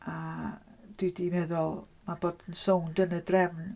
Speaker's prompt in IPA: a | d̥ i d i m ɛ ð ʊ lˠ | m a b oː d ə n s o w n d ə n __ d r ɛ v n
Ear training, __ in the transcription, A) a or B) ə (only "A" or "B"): B